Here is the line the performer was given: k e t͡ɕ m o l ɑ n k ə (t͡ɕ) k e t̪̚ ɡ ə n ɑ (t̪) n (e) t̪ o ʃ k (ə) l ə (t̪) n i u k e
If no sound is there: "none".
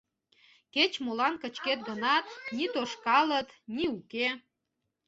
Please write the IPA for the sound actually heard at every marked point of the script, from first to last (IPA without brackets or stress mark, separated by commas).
t͡ɕ, t̪, i, ɑ, t̪